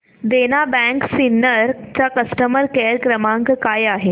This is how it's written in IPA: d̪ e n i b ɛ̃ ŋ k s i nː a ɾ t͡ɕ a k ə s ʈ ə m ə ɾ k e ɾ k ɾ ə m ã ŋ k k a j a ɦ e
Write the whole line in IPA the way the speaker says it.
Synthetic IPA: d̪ e n a b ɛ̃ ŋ k s i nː ə ɾ t͡ɕ a k ə s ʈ ə m ə ɾ k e ɾ k ɾ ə m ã ŋ k k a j a ɦ e